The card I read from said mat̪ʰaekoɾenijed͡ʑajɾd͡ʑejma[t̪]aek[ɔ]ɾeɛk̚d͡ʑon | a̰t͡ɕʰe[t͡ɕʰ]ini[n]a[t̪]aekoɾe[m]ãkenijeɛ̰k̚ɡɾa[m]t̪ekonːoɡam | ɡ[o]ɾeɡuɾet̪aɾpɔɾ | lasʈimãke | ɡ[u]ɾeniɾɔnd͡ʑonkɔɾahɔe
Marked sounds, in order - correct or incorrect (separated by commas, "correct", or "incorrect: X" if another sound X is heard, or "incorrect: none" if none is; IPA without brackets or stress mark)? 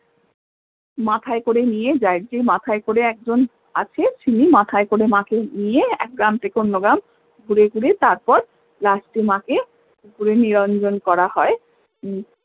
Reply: incorrect: t̪ʰ, incorrect: o, correct, incorrect: m, incorrect: t̪ʰ, correct, correct, incorrect: u, correct